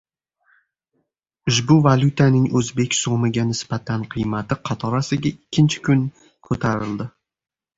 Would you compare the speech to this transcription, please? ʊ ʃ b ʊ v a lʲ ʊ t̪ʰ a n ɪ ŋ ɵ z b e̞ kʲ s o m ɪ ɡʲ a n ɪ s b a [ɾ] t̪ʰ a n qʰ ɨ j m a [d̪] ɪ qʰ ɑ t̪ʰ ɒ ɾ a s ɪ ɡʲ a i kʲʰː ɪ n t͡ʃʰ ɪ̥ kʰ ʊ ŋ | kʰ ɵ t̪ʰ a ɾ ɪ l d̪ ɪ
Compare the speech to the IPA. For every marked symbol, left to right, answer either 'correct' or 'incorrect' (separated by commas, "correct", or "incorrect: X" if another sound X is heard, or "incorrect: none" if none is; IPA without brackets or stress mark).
incorrect: none, incorrect: t̪